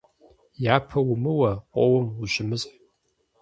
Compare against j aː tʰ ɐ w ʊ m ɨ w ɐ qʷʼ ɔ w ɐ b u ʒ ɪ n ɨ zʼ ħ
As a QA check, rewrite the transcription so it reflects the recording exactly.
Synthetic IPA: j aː pʰ ɐ w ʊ m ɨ w ɐ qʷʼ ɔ w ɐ m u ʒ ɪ m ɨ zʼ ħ